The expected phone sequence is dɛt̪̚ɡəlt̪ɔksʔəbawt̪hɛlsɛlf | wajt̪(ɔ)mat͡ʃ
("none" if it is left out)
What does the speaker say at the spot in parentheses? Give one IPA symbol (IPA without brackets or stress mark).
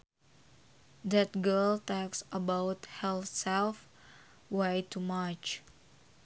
u